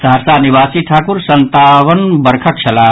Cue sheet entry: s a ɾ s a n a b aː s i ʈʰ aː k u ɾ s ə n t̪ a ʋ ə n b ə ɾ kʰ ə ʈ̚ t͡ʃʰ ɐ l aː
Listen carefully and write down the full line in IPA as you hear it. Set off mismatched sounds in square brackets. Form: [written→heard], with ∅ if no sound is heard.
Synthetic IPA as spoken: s a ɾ s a n [a→i] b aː s i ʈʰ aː k u ɾ s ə n t̪ a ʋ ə n b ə ɾ kʰ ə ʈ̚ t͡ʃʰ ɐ l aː